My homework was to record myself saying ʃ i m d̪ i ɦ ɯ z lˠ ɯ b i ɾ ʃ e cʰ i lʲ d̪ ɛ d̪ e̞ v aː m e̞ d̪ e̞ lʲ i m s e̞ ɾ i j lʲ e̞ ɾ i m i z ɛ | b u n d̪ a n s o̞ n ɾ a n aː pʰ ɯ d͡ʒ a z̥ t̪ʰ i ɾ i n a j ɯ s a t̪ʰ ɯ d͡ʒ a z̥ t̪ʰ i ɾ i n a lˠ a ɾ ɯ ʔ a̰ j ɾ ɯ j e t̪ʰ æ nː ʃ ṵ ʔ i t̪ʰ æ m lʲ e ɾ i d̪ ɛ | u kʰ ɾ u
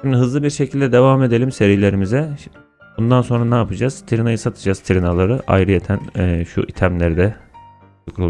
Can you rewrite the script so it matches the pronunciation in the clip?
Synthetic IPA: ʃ i m d̪ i ɦ ɯ z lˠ ɯ b i ɾ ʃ e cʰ i lʲ d̪ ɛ d̪ e̞ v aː m e̞ d̪ e̞ lʲ i m s e̞ ɾ i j lʲ e̞ ɾ i m i z ɛ | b u n d̪ a n s o̞ n ɾ a n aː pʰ ɯ d͡ʒ a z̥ t̪ʰ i ɾ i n a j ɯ s a t̪ʰ ɯ d͡ʒ a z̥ t̪ʰ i ɾ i n a lˠ a ɾ ɯ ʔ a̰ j ɾ ɯ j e t̪ʰ æ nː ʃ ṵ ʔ i t̪ʰ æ m lʲ e ɾ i d̪ ɛ | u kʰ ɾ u